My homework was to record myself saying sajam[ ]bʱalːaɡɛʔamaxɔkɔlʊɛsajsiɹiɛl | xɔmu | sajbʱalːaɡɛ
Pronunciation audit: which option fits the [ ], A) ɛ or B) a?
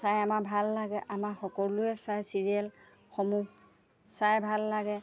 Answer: B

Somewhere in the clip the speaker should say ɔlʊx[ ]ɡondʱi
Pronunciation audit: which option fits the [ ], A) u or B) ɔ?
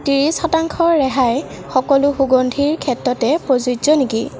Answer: A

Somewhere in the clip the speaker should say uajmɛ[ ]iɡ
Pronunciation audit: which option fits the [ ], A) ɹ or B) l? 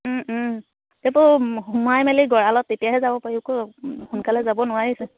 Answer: B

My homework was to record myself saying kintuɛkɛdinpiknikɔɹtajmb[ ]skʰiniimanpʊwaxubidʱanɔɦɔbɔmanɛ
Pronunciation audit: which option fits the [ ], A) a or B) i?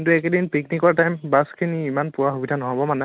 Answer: A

